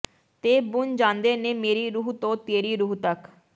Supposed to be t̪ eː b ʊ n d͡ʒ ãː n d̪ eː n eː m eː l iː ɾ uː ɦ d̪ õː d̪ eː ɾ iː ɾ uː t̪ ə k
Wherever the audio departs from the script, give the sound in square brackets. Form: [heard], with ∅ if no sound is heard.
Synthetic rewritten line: t̪ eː b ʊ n d͡ʒ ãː n d̪ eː n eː m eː [ɾ] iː ɾ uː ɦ [t̪] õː [t̪] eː ɾ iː ɾ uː t̪ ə k